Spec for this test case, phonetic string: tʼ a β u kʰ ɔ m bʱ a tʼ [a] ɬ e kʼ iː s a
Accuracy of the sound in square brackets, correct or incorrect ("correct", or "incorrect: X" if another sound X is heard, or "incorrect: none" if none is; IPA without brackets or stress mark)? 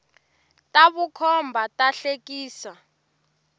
correct